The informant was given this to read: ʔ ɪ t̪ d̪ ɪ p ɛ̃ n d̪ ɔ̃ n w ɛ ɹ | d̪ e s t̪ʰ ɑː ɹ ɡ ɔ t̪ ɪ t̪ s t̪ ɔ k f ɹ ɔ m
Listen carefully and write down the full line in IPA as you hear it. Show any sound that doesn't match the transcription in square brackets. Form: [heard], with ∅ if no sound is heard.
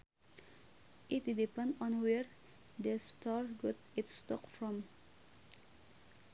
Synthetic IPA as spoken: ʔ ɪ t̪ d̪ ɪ p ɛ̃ n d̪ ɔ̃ n w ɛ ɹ | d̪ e s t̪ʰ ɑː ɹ ɡ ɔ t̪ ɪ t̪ s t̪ ɔ k f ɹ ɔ m